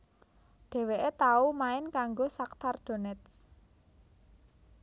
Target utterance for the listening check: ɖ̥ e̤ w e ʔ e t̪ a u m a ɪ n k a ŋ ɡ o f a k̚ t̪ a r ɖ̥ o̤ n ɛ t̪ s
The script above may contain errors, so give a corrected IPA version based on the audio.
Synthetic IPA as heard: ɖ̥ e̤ w e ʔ e t̪ a u m a ɪ n k a ŋ ɡ o s a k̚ t̪ a r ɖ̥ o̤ n ɛ t̪ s